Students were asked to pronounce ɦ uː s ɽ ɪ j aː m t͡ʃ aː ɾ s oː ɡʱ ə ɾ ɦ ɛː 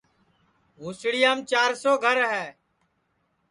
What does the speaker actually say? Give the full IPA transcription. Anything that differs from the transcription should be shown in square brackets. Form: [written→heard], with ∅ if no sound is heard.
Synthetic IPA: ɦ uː s ɽ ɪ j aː m t͡ʃ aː ɾ s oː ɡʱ ə ɾ ɦ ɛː